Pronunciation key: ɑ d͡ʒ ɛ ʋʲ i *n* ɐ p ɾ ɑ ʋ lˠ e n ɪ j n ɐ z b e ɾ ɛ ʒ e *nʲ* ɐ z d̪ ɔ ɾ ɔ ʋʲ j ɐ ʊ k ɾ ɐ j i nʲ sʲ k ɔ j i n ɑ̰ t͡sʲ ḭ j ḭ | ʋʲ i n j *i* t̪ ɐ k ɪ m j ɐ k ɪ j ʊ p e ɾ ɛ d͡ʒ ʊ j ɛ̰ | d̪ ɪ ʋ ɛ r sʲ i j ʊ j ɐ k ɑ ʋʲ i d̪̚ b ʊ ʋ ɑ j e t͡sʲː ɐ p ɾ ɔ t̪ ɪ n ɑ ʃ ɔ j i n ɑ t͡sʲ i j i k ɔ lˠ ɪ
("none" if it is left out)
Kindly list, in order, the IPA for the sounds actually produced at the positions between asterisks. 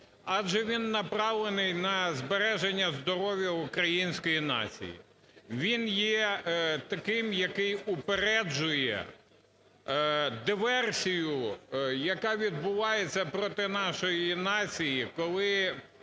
nː, nʲː, ɛ

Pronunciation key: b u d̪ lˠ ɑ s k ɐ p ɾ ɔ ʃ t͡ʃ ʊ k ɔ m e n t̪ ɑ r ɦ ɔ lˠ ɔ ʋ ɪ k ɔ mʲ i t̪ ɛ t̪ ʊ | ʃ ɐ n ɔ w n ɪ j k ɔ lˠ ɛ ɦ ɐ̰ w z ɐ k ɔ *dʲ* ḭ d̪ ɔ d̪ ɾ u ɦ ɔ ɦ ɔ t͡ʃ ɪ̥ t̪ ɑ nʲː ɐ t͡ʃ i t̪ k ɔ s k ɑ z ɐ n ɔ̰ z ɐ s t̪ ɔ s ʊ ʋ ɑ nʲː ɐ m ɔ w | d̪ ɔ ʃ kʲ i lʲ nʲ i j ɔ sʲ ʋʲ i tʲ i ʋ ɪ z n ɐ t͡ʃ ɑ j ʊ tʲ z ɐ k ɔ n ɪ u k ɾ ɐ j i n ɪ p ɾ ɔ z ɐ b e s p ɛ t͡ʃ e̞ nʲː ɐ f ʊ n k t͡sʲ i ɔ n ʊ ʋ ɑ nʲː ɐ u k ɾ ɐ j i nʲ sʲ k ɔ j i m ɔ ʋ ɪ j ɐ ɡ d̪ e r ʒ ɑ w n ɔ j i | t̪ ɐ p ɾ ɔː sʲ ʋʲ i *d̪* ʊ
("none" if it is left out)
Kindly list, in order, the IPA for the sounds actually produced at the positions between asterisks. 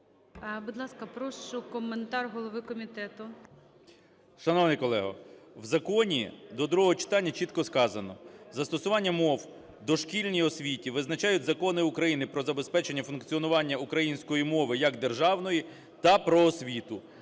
nʲ, t̪

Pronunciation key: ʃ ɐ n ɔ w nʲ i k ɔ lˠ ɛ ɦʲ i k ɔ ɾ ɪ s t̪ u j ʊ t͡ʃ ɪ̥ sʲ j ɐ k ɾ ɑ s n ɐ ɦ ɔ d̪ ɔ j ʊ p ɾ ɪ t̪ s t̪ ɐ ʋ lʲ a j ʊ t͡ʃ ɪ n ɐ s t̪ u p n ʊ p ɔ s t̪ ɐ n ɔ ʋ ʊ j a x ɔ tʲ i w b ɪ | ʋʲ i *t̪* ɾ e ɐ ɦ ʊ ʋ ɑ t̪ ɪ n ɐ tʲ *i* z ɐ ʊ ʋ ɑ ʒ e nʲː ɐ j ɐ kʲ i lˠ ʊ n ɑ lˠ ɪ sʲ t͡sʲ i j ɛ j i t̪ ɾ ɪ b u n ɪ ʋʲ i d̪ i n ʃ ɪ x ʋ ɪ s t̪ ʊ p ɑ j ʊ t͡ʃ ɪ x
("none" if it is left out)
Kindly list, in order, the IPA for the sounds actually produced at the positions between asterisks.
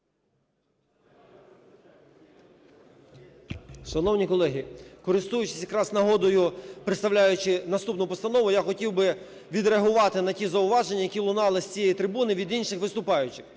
d̪, i

